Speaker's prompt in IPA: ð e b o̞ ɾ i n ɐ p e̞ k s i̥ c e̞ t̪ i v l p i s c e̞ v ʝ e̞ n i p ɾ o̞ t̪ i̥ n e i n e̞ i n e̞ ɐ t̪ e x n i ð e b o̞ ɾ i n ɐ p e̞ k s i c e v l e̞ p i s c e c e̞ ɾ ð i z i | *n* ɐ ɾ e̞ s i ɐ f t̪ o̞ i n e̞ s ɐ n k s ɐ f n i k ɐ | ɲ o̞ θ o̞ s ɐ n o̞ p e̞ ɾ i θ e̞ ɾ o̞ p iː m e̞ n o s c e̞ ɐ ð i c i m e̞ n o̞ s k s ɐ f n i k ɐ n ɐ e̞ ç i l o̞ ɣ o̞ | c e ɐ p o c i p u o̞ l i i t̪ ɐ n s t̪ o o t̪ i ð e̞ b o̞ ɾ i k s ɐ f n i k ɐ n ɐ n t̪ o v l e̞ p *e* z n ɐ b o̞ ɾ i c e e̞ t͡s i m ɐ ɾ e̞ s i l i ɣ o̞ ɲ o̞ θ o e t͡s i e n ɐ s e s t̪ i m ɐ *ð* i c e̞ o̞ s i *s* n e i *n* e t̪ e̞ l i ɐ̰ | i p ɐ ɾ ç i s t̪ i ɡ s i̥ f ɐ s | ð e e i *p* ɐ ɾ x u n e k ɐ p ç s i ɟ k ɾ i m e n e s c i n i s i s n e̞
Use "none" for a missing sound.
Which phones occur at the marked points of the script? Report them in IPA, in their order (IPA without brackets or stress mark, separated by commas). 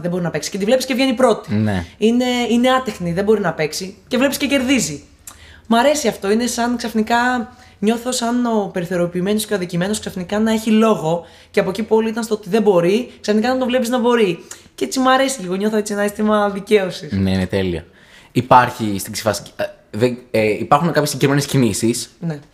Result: m, i, ð, s, n, p